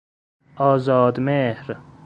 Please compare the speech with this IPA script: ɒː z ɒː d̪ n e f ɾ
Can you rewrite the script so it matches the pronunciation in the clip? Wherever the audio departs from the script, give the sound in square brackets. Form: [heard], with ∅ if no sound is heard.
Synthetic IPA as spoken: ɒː z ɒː d̪ [m] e [h] ɾ